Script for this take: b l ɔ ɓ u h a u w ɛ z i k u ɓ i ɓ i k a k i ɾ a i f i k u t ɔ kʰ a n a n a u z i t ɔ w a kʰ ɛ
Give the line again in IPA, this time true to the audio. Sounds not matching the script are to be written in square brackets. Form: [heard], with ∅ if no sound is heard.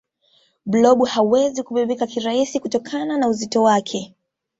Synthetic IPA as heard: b l ɔ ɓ u h a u w ɛ z i k u ɓ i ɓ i k a k i ɾ a i [s] i k u t ɔ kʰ a n a n a u z i t ɔ w a kʰ ɛ